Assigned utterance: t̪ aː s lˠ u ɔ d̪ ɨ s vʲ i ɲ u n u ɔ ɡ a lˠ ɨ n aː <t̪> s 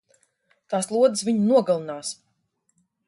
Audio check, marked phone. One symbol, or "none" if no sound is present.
none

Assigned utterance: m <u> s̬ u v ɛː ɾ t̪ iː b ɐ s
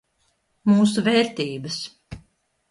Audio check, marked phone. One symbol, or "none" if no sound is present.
uː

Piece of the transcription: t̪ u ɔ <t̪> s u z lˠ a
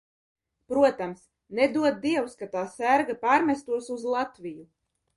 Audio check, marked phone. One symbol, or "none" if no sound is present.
none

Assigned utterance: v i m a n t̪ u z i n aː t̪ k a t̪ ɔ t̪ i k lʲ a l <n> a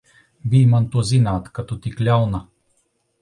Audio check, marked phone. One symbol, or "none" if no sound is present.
n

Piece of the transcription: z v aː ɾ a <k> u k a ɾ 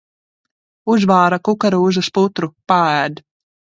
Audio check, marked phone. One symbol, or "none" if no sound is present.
k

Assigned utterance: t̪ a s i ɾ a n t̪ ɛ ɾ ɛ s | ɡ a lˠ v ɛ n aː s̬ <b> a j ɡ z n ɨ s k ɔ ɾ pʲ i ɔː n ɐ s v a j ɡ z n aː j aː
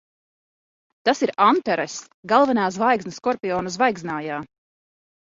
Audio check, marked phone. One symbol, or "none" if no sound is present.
v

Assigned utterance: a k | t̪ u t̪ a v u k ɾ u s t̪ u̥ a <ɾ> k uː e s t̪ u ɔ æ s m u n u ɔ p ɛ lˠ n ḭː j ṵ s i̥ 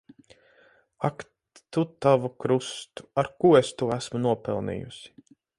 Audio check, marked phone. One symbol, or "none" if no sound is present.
ɾ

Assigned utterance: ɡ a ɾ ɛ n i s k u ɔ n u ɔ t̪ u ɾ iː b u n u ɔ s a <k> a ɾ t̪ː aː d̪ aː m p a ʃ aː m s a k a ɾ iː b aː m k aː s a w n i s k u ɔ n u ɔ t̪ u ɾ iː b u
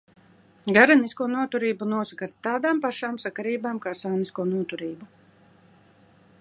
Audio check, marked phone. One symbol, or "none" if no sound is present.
k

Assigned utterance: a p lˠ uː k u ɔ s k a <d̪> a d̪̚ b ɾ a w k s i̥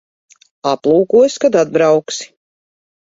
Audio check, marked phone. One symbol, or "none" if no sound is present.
d̪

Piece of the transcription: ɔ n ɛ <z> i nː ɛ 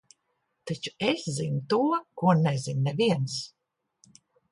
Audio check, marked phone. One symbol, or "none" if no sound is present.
z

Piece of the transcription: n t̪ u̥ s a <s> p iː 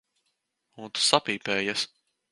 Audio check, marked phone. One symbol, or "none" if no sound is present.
none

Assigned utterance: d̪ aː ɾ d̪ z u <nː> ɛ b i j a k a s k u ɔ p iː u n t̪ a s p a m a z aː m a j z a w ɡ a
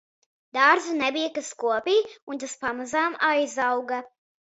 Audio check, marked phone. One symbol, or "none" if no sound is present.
n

